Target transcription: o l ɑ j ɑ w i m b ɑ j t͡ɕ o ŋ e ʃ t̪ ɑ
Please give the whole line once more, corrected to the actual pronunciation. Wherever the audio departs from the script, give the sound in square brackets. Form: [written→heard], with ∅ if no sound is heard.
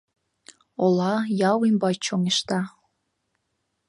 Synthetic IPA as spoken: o l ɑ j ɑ w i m b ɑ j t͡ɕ o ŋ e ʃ t̪ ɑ